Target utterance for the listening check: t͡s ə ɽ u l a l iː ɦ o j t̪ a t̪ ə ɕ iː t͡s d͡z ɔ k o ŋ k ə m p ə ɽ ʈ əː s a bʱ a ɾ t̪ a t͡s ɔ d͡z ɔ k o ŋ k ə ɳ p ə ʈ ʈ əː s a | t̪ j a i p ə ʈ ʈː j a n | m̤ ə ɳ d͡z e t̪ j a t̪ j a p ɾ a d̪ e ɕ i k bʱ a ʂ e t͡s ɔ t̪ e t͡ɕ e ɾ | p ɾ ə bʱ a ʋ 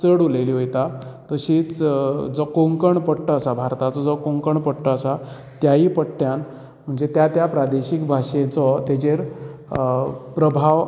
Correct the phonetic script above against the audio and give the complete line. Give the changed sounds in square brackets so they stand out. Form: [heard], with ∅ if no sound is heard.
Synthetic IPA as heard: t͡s ə ɽ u l [e] l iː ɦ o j t̪ a t̪ ə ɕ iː t͡s d͡z ɔ k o ŋ k ə [ɳ] p ə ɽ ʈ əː s a bʱ a ɾ t̪ a t͡s ɔ d͡z ɔ k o ŋ k ə ɳ p ə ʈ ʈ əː s a | t̪ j a i p ə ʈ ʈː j a n | m̤ ə ɳ d͡z e t̪ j a t̪ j a p ɾ a d̪ e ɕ i k bʱ a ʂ e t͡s ɔ t̪ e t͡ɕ e ɾ | p ɾ ə bʱ a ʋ